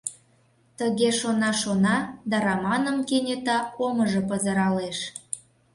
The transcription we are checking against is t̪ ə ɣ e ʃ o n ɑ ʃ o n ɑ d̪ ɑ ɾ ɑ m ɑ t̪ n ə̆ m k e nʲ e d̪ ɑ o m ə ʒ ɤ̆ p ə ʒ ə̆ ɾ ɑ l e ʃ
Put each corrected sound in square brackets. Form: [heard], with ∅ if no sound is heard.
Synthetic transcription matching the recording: t̪ ə ɣ e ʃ o n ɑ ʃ o n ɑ d̪ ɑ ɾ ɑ m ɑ [∅] n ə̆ m k e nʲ e [t̪] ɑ o m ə ʒ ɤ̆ p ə [z] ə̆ ɾ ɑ l e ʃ